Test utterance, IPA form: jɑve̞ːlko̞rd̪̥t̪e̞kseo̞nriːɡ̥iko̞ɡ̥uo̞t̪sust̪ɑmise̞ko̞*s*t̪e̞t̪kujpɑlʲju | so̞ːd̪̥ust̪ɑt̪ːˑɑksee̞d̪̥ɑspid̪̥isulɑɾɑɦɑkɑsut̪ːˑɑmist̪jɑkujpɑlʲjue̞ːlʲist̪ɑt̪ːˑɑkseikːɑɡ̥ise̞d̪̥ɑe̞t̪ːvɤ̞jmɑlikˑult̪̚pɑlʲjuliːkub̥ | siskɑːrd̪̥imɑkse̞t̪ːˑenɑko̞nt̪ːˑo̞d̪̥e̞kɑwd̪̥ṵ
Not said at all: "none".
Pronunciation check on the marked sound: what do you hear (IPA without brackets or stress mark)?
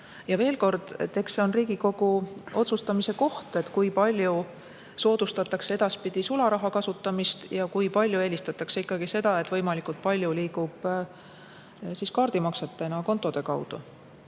h